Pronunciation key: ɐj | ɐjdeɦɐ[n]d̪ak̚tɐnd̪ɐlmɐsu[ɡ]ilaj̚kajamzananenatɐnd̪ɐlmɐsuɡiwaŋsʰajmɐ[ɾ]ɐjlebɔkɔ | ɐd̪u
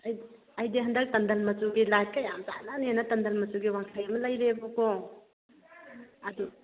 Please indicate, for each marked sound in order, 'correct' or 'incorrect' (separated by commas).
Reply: correct, correct, incorrect